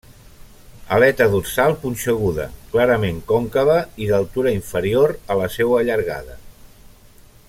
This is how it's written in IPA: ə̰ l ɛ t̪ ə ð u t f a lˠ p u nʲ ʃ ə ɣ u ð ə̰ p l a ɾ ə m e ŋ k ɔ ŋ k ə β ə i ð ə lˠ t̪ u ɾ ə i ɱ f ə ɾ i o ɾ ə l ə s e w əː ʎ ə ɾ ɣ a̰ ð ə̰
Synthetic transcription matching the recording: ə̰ l ɛ t̪ ə ð u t s a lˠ p u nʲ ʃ ə ɣ u ð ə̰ k l a ɾ ə m e ŋ k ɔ ŋ k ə β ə i ð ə lˠ t̪ u ɾ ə i ɱ f ə ɾ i o ɾ ə l ə s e w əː ʎ ə ɾ ɣ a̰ ð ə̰